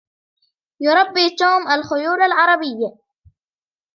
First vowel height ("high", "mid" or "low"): high